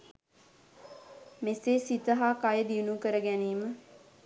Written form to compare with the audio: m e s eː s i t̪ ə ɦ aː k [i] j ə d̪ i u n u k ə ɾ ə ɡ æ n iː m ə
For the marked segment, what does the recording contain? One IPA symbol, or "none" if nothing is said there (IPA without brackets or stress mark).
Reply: a